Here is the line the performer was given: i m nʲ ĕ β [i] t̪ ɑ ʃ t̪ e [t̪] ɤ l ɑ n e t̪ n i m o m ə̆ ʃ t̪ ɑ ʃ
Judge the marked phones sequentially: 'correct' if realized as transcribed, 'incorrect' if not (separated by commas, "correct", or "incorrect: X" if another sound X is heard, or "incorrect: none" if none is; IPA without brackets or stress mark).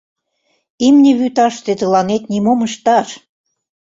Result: incorrect: y, correct